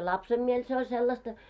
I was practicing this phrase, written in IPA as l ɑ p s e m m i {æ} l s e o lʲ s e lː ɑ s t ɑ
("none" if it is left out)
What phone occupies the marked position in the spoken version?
e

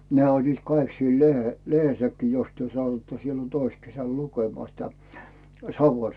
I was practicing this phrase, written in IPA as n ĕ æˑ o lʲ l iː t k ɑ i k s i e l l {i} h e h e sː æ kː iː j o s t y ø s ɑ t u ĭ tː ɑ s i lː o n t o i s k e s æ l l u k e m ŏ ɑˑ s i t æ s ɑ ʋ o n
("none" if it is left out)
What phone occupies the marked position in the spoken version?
e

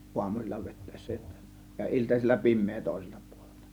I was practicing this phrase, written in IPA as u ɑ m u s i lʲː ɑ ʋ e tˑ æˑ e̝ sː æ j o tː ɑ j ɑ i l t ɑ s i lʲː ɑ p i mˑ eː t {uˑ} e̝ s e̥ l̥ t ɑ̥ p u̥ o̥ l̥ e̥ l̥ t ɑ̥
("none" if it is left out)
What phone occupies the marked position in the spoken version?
oˑ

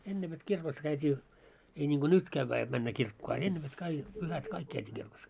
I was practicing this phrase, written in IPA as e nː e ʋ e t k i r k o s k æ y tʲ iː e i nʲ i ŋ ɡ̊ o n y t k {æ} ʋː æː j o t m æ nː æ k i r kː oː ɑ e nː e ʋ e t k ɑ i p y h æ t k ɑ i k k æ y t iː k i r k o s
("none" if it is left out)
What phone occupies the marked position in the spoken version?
æ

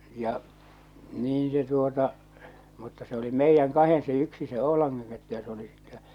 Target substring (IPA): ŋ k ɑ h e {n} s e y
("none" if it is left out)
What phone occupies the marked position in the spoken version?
n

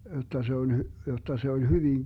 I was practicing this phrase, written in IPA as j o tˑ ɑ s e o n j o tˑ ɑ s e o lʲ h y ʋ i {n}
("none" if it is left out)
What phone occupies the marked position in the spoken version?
ŋ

